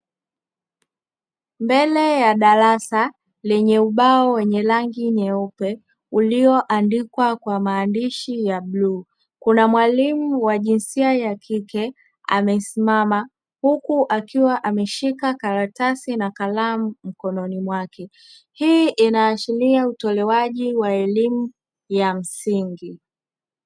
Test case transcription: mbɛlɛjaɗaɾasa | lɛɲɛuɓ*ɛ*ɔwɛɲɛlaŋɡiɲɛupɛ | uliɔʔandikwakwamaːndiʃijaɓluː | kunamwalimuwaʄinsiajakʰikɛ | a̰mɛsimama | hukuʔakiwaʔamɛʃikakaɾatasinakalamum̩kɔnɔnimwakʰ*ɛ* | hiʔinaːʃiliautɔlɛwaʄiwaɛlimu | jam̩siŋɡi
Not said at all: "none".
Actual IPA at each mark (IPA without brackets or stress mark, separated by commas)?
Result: a, ɛ